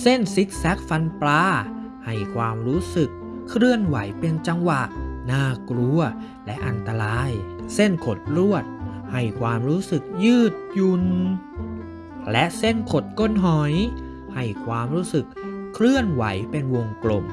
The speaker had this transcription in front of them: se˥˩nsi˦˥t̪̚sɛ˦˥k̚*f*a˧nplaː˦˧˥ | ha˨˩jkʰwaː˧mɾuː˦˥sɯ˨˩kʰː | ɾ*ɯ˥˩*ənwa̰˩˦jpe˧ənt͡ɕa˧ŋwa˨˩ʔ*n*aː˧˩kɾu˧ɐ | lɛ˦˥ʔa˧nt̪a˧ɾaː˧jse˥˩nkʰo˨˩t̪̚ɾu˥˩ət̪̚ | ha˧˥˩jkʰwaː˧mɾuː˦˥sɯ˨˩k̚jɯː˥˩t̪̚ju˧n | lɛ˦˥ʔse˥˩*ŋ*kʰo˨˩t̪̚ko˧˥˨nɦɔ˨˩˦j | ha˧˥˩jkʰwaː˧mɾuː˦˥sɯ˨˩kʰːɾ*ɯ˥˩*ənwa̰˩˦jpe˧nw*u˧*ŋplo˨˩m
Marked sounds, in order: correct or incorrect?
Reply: correct, correct, correct, incorrect, correct, incorrect

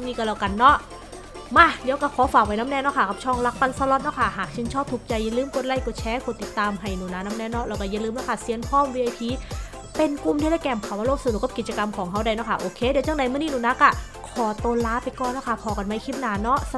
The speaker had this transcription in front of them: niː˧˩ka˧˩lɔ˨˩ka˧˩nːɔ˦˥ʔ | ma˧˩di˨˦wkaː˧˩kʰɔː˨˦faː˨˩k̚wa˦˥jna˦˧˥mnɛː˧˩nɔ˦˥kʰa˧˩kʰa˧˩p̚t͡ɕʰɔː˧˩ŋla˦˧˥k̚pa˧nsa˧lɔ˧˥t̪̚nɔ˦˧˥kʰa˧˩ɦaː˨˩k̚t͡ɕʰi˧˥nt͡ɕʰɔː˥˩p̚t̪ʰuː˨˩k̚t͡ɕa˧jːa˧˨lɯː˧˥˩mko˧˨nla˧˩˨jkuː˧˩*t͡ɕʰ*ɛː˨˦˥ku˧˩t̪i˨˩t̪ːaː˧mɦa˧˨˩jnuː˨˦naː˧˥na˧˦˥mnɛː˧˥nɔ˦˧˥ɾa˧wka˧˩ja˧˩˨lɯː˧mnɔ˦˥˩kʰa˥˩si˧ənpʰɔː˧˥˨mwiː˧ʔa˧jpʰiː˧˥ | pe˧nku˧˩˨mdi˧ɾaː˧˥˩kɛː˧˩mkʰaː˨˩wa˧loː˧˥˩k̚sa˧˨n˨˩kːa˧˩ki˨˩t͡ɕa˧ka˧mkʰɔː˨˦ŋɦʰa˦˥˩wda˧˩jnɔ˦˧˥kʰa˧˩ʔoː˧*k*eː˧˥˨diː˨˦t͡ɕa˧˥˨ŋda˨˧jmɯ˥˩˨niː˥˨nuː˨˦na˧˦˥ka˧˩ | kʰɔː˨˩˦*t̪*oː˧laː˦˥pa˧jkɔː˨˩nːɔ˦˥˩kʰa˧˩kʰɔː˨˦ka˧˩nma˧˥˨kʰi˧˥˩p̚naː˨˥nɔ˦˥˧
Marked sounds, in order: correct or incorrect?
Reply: correct, incorrect, correct

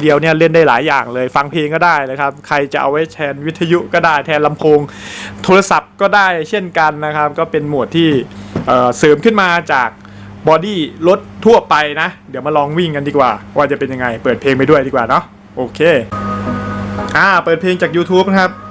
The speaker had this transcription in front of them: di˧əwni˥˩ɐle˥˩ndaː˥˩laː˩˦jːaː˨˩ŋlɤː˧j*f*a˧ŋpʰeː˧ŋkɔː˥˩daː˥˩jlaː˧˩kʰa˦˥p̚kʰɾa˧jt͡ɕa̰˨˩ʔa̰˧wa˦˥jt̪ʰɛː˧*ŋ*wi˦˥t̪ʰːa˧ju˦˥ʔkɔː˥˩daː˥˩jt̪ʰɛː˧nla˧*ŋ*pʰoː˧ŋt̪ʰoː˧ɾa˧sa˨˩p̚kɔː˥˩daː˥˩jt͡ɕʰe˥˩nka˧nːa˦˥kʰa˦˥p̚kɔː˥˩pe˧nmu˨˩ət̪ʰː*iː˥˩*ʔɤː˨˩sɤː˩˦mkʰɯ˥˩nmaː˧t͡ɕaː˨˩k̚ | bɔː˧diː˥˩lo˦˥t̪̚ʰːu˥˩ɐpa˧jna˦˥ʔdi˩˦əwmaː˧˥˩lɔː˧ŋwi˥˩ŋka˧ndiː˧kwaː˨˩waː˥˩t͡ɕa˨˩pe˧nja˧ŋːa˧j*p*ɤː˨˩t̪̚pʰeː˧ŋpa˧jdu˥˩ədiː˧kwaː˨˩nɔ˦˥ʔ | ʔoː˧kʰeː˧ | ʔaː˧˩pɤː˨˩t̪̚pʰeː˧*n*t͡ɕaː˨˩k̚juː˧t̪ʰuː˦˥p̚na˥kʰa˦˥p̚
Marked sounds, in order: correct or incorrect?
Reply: correct, incorrect, incorrect, correct, correct, incorrect

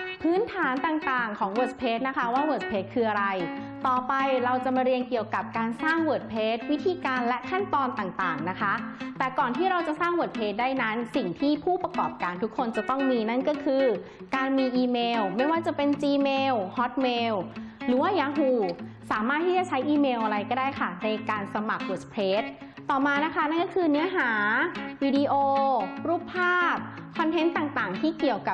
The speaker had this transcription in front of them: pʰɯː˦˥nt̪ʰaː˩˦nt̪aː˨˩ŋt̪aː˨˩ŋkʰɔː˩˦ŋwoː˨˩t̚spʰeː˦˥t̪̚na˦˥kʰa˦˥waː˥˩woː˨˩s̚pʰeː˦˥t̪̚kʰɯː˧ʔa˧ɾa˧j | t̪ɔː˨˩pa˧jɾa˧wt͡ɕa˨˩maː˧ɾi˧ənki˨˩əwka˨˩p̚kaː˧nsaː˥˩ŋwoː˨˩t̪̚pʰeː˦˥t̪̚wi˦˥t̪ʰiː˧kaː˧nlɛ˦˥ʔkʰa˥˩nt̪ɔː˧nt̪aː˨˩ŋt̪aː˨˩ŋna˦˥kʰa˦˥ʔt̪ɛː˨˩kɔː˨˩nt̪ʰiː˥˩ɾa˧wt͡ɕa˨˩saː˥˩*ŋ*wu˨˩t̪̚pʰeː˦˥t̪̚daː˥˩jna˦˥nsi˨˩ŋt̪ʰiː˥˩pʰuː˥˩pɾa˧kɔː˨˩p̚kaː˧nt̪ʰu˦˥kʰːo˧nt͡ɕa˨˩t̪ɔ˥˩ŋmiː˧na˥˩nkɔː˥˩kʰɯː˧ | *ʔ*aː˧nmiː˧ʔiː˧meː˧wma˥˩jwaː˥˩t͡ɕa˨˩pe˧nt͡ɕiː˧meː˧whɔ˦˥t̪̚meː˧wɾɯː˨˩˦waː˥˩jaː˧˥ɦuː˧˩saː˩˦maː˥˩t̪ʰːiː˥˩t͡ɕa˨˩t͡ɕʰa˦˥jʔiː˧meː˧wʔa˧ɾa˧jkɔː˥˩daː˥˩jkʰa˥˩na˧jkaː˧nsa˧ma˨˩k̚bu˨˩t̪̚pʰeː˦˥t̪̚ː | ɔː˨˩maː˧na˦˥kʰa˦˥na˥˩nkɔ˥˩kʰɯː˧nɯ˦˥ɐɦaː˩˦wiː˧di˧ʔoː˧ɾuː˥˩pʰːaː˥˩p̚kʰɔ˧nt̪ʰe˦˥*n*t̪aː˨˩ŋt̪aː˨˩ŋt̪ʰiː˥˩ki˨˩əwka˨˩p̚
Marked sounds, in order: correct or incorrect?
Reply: correct, incorrect, correct

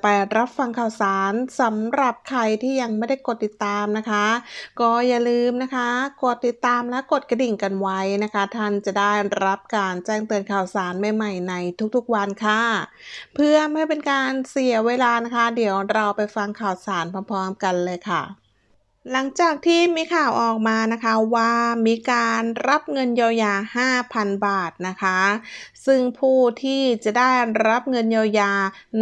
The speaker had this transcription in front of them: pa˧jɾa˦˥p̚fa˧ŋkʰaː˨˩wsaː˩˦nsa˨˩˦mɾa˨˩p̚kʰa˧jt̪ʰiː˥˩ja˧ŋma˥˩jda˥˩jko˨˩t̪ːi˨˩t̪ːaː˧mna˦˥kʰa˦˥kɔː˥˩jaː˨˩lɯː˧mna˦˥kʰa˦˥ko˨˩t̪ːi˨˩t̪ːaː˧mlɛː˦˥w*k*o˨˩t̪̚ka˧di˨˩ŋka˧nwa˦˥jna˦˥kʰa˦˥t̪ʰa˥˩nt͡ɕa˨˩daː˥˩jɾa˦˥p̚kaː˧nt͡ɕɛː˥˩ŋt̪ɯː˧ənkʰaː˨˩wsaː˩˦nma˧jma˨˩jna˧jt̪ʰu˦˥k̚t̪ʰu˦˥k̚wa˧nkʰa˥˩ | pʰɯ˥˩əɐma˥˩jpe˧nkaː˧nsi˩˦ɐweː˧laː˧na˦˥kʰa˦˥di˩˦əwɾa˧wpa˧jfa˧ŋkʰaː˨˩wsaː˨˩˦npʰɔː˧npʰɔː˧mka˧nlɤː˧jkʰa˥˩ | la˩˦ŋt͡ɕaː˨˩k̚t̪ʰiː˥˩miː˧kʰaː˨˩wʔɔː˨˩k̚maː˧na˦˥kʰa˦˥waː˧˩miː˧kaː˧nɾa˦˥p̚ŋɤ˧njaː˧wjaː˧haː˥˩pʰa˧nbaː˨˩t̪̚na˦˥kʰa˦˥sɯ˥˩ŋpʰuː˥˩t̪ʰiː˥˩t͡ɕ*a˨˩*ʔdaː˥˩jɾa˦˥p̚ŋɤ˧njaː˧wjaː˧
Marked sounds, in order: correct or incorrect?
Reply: correct, correct

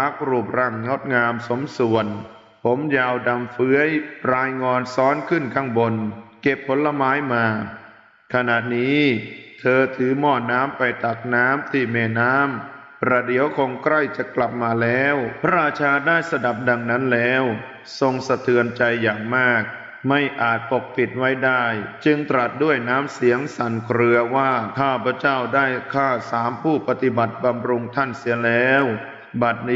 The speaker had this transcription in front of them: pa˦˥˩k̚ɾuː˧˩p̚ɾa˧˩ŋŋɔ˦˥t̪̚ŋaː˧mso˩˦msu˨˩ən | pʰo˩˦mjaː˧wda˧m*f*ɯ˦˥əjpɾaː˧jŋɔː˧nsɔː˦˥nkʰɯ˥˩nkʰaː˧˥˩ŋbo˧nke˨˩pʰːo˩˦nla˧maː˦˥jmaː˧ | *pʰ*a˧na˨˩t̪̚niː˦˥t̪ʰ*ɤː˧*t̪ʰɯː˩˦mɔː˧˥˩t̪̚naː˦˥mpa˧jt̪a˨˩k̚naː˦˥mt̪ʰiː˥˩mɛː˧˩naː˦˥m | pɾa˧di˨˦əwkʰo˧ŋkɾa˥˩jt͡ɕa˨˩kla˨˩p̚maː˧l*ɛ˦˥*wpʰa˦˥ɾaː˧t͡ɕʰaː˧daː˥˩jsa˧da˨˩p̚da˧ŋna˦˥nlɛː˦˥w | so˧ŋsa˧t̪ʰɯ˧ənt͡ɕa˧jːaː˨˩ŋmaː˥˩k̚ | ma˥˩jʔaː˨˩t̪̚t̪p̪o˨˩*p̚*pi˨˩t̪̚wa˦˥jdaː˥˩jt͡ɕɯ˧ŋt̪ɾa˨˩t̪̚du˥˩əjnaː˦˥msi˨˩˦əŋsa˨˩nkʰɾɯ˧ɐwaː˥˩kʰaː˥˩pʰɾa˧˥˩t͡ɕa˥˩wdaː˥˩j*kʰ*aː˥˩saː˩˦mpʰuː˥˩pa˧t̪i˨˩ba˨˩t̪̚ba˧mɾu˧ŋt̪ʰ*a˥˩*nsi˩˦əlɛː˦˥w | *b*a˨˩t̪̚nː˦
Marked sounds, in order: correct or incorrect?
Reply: correct, incorrect, correct, incorrect, incorrect, correct, correct, correct

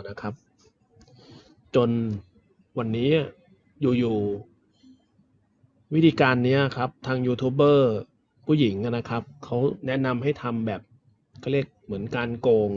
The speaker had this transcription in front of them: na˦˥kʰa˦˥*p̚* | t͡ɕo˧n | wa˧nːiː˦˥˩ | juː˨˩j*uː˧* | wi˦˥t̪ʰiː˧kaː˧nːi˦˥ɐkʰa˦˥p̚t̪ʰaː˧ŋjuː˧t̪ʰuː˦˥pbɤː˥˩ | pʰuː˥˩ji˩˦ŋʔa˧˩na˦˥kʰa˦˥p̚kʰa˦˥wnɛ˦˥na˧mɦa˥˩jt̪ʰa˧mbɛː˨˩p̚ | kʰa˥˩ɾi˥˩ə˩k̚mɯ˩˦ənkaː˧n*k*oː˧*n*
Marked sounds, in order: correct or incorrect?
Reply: correct, incorrect, correct, incorrect

